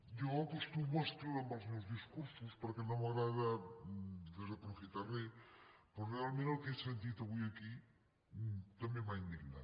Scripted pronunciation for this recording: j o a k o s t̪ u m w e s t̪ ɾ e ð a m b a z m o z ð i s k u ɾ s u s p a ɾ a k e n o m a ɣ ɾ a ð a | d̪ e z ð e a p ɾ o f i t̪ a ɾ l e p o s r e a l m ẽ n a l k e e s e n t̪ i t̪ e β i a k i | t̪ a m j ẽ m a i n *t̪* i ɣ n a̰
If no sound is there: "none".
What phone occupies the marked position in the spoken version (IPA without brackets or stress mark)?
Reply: d̪